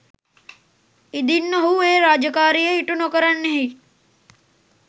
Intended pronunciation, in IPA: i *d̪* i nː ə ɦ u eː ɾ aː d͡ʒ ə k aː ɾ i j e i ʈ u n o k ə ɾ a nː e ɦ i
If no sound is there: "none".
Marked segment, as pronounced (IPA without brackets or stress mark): d̪